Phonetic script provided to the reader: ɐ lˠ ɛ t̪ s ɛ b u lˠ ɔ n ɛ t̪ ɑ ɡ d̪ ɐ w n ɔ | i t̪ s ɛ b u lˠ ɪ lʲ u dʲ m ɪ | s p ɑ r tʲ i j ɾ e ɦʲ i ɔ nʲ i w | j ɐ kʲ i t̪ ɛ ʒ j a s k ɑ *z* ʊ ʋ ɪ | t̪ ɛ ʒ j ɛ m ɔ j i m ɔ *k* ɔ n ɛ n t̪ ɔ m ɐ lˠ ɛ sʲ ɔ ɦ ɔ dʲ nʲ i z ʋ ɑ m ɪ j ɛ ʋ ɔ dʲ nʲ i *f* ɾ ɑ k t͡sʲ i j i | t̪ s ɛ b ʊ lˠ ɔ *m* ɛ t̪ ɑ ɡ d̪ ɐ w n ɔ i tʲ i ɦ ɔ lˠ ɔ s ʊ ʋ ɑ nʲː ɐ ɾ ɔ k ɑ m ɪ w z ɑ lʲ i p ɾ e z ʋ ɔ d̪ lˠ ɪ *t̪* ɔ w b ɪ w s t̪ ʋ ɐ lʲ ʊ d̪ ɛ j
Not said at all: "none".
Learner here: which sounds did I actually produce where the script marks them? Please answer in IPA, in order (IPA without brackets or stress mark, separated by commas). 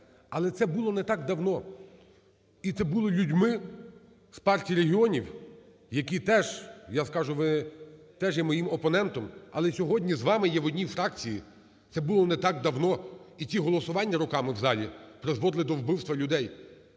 ʒ, p, f, n, d̪